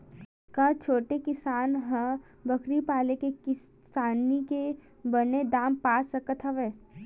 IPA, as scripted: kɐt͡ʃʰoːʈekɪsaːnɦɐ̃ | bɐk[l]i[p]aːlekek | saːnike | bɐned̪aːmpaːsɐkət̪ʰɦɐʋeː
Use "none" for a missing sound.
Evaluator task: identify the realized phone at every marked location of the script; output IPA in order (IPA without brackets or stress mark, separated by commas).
ɾ, p